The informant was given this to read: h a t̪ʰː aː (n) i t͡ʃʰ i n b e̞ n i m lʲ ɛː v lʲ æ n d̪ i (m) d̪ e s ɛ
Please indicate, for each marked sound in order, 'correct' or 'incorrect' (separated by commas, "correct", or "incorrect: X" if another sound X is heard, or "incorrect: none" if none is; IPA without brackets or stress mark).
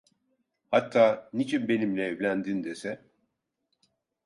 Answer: correct, incorrect: n